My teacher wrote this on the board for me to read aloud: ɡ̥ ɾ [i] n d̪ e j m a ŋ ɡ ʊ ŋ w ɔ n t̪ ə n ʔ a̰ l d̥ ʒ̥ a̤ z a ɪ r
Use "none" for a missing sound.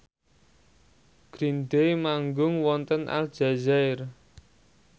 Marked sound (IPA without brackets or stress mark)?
i